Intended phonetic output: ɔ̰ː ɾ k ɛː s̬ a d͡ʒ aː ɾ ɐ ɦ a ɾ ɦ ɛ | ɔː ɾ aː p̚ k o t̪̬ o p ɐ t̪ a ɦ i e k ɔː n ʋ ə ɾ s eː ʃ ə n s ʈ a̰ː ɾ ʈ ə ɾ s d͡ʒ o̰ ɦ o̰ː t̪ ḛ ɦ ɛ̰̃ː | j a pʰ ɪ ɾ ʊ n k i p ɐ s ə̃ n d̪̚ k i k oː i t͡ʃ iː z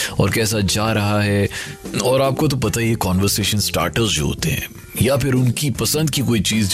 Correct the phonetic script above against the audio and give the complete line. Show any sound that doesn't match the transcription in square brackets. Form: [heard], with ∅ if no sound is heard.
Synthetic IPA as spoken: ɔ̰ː ɾ k ɛː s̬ a d͡ʒ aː ɾ ɐ ɦ a [∅] ɦ ɛ | ɔː ɾ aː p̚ k o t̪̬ o p ɐ t̪ a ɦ i e k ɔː n ʋ ə ɾ s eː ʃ ə n s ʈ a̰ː ɾ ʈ ə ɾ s d͡ʒ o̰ ɦ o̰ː t̪ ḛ ɦ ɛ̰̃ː | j a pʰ ɪ ɾ ʊ n k i p ɐ s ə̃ n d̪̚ k i k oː i t͡ʃ iː z